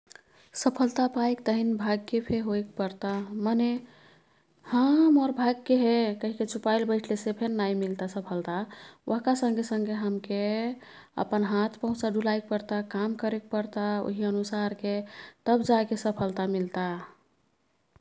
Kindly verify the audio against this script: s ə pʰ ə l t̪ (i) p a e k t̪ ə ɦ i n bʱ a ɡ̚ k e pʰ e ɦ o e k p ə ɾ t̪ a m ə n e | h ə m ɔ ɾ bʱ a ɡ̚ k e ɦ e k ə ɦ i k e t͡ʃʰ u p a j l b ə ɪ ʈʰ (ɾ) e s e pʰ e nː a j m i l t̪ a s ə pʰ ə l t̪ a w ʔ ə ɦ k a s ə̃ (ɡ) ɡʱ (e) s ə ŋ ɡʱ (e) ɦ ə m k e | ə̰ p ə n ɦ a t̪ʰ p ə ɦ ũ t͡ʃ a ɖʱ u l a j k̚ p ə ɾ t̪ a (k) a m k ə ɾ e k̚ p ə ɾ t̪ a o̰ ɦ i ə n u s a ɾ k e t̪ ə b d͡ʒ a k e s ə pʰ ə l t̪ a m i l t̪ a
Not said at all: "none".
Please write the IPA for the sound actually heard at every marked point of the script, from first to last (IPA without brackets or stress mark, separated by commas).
a, l, ŋ, e, e, k